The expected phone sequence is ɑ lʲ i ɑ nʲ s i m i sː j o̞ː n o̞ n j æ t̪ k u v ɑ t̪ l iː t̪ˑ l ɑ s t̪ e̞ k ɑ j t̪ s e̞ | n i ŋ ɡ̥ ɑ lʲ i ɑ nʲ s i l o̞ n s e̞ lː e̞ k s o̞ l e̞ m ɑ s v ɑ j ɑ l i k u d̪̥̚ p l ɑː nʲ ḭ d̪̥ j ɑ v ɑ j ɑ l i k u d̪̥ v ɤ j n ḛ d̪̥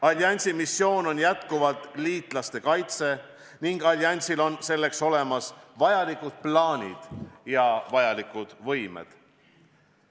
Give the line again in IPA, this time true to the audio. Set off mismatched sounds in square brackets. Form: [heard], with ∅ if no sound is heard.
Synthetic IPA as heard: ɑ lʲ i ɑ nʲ s i m i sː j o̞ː n o̞ n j æ t̪ k u v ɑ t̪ l iː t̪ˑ l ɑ s t̪ e̞ k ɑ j t̪ s e̞ | n i ŋ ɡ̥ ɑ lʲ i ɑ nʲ s i l o̞ n s e̞ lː e̞ k s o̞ l e̞ m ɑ s v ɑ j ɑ l i k u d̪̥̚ p l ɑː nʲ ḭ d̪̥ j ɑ v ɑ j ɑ l i k u d̪̥ v ɤ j [m] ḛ d̪̥